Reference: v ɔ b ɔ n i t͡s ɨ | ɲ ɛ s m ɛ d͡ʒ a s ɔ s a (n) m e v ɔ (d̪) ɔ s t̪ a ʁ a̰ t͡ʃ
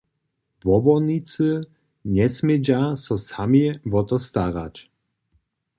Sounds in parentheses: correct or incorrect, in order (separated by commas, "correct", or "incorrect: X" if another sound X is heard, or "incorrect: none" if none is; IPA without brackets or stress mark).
incorrect: none, incorrect: t̪